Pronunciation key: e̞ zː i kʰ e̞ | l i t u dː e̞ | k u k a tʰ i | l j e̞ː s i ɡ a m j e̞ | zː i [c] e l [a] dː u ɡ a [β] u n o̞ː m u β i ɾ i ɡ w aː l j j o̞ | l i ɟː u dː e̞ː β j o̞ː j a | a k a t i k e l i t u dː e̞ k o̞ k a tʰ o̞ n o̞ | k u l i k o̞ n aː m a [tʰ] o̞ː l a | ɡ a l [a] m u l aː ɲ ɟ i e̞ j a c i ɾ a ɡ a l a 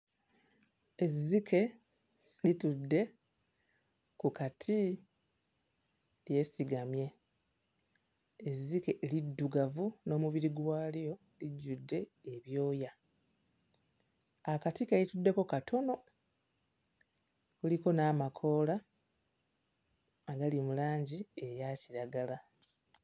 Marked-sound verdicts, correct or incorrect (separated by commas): incorrect, incorrect, incorrect, incorrect, incorrect